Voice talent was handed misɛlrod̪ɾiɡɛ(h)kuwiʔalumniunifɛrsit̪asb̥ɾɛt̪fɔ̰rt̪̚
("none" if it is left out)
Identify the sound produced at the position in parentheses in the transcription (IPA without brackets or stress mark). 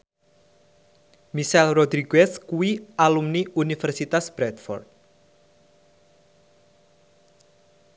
s